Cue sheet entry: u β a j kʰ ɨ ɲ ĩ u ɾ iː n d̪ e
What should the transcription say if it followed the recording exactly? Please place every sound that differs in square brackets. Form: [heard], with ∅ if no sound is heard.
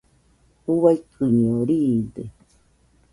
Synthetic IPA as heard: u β a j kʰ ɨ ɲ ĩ [o] ɾ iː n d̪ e